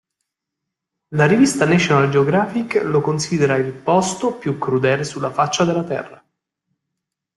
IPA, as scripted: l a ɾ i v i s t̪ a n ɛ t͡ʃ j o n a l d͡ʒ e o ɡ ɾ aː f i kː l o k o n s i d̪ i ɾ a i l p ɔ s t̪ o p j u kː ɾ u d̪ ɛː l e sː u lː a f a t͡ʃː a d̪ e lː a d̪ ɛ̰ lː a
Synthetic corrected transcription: l a ɾ i v i s t̪ a n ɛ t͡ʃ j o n a l d͡ʒ e o ɡ ɾ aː f i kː l o k o n s i d̪ e ɾ a i l p ɔ s t̪ o p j u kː ɾ u d̪ ɛː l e s u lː a f a t͡ʃː a d̪ e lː a t̪ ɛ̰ rː a